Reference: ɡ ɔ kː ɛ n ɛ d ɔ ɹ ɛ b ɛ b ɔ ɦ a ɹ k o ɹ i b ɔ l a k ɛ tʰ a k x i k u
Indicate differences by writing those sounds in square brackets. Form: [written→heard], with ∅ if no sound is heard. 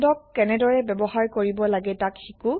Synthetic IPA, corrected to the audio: [ɡ→d] ɔ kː ɛ n ɛ d ɔ ɹ ɛ b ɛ b ɔ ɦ a ɹ k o ɹ i b ɔ l a [k→ɡ] ɛ [tʰ→t] a k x i k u